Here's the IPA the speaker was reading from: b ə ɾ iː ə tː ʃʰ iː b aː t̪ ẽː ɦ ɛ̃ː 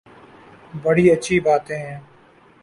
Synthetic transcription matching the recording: b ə ɽ iː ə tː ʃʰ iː b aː t̪ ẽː ɦ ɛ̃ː